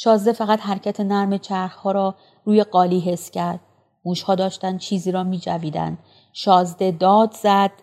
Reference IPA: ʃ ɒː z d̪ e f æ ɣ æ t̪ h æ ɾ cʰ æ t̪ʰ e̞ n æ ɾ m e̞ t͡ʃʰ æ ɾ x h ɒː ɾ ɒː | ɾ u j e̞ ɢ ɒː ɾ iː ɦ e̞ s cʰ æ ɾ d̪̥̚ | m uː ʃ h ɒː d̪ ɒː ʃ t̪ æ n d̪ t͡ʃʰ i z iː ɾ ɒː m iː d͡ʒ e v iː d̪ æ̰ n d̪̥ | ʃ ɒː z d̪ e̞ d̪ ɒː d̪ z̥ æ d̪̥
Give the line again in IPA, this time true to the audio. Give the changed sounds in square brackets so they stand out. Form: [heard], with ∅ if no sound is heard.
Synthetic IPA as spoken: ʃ ɒː z d̪ e f æ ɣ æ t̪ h æ ɾ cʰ æ t̪ʰ e̞ n æ ɾ m e̞ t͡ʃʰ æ ɾ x h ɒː ɾ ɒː | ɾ [uː] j e̞ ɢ ɒː [l] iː ɦ e̞ s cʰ æ ɾ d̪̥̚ | m uː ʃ h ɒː d̪ ɒː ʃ t̪ æ n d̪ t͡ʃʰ [iː] z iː ɾ ɒː m iː d͡ʒ [æ] v iː d̪ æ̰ n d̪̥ | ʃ ɒː z d̪ e̞ d̪ ɒː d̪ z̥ æ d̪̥